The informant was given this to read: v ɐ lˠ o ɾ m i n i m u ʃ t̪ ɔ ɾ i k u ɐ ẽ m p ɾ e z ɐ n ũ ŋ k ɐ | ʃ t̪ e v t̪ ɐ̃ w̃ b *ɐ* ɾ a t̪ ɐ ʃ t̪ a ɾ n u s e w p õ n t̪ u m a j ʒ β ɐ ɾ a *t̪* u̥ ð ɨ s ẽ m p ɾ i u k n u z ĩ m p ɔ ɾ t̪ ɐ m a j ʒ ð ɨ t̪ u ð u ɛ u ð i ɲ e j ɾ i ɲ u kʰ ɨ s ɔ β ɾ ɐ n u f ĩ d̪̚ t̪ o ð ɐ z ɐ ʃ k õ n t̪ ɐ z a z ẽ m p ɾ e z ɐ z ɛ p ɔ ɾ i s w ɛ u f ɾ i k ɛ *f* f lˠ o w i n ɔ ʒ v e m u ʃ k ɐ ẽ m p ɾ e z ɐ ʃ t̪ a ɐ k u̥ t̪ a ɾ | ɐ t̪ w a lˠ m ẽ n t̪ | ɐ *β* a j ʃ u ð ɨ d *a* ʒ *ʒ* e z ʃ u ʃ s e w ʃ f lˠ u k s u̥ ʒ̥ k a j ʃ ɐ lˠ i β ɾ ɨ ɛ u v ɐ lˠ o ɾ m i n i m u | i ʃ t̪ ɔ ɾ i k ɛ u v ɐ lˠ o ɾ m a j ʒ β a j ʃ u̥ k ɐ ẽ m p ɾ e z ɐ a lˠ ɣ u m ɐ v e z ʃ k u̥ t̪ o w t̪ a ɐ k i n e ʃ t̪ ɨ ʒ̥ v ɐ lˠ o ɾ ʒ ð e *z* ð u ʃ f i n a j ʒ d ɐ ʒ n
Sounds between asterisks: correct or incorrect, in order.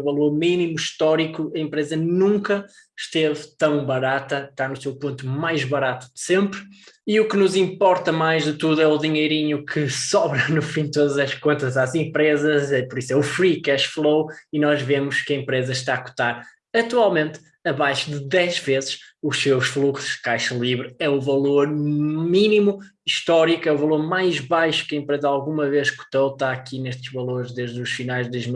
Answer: correct, correct, incorrect, correct, incorrect, incorrect, incorrect

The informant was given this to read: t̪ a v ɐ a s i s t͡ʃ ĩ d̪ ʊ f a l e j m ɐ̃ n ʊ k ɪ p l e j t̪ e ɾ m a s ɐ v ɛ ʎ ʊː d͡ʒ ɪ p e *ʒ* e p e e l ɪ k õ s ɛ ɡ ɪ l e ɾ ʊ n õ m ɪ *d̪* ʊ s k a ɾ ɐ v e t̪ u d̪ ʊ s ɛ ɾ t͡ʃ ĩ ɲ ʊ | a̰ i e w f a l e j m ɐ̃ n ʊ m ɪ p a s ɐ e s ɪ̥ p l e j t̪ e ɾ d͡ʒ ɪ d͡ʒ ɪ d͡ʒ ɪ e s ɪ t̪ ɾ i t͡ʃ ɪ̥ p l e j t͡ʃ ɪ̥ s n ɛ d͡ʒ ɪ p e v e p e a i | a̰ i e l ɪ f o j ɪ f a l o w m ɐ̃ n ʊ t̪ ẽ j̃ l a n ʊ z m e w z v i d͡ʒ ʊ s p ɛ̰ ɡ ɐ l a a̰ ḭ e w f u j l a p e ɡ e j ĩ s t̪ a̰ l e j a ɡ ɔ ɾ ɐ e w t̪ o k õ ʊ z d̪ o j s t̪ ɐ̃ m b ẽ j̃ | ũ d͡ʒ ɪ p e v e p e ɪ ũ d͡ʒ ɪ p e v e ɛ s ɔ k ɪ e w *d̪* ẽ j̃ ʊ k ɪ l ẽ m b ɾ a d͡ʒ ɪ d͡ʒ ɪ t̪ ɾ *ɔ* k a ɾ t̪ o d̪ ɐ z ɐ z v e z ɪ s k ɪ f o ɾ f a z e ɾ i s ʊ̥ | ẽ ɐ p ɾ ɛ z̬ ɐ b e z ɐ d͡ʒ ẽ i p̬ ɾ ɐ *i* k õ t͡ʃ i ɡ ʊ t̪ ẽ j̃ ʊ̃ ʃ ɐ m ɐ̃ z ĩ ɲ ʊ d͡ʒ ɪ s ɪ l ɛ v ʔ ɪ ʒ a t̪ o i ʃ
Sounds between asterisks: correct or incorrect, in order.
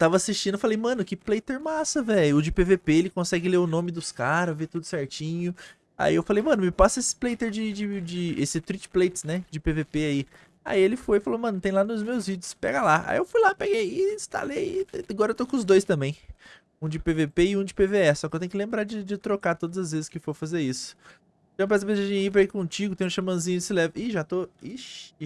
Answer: incorrect, correct, incorrect, incorrect, correct

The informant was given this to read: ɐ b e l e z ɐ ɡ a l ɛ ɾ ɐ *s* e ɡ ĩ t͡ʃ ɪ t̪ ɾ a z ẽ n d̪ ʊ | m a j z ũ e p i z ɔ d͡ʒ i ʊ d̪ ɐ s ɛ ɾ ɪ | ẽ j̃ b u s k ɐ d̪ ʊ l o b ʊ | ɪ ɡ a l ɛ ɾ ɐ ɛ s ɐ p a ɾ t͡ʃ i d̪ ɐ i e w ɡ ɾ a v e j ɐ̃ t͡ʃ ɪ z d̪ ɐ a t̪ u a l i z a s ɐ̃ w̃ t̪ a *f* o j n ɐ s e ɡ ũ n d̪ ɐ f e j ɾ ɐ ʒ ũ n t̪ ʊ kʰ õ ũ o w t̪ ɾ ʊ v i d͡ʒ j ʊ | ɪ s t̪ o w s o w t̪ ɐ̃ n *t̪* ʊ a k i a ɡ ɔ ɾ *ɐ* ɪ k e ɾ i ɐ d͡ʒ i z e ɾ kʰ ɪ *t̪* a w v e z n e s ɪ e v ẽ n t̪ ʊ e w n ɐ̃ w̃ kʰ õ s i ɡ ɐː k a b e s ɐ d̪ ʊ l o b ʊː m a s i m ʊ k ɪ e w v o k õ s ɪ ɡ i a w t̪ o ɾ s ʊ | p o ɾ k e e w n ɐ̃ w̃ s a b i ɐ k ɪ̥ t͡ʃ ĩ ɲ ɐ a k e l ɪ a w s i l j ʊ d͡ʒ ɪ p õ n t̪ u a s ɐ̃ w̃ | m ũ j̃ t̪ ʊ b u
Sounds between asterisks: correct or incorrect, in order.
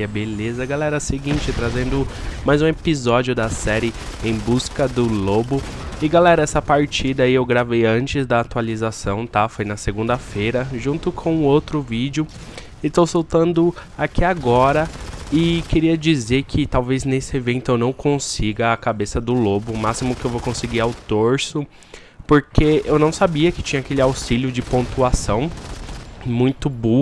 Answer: correct, correct, incorrect, correct, correct

